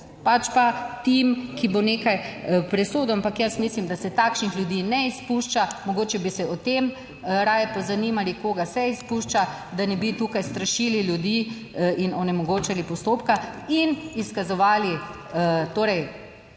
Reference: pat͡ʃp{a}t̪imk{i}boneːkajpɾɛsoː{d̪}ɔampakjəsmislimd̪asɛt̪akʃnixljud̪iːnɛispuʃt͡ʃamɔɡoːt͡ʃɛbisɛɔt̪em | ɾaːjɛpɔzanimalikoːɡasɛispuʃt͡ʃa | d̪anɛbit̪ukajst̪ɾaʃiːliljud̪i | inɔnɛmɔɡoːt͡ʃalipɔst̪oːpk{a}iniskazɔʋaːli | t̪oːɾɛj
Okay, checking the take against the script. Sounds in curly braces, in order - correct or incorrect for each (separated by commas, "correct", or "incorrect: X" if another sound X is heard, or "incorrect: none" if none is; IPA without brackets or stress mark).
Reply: correct, correct, correct, correct